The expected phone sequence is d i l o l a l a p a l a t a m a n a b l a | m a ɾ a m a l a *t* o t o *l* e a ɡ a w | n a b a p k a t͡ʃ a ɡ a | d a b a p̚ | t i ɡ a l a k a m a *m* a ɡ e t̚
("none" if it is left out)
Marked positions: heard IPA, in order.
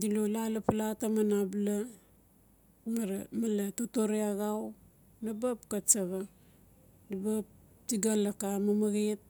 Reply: t, ɾ, m

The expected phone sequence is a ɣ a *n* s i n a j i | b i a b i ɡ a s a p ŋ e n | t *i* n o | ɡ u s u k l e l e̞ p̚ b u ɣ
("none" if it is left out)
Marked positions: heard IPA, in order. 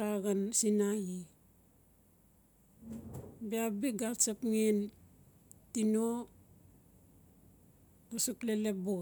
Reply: n, i

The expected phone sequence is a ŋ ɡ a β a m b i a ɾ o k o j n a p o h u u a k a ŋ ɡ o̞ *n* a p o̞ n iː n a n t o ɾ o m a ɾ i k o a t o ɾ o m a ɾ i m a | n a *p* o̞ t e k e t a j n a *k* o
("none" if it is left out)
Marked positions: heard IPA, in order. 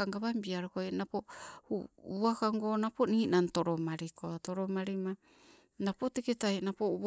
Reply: n, p, p

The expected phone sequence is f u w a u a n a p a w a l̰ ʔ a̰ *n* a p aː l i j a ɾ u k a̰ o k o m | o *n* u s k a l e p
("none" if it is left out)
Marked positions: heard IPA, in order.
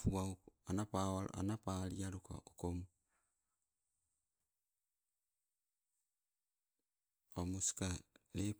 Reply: n, m

